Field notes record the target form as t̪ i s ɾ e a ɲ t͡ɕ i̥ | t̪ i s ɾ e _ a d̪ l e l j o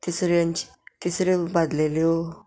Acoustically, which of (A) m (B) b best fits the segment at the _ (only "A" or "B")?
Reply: B